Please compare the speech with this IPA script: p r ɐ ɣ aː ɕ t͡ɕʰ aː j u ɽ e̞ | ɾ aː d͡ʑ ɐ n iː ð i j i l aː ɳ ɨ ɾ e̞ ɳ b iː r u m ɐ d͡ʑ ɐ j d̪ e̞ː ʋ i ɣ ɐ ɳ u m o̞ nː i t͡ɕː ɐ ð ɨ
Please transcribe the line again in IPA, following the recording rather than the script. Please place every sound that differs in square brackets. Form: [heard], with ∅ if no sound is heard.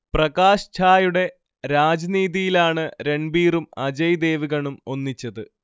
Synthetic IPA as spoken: p r ɐ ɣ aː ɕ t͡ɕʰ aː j u ɽ e̞ | ɾ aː d͡ʑ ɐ n iː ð i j i l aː ɳ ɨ ɾ e̞ ɳ b iː r u m ɐ d͡ʑ ɐ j d̪ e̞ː ʋ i ɣ ɐ ɳ u m o̞ nː i t͡ɕː ɐ ð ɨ